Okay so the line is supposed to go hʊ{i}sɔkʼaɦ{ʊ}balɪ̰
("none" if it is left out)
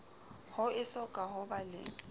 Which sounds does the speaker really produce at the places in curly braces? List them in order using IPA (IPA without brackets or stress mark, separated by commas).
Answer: ɪ, ʊ